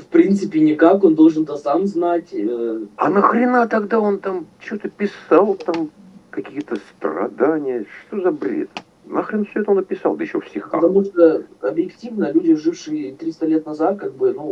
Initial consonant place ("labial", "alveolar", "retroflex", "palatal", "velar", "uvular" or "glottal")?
labial